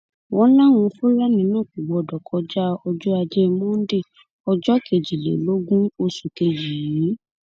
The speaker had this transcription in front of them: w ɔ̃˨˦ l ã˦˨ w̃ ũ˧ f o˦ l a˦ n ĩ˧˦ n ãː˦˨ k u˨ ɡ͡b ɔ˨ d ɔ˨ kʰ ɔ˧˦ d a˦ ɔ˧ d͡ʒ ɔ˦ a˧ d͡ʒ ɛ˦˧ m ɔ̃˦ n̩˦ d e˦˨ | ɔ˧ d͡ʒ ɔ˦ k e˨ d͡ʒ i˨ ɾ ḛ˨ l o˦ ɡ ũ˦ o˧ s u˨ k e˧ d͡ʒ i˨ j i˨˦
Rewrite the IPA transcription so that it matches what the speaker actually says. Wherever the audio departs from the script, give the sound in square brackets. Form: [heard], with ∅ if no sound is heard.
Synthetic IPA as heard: w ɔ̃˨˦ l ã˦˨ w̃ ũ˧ f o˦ l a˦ n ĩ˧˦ n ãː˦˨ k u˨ ɡ͡b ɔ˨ d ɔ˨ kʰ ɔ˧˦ [d͡ʒ] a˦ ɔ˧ d͡ʒ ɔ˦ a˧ d͡ʒ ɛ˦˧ m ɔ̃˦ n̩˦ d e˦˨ | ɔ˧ d͡ʒ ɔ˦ k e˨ d͡ʒ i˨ [l] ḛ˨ l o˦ ɡ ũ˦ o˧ s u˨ k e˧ d͡ʒ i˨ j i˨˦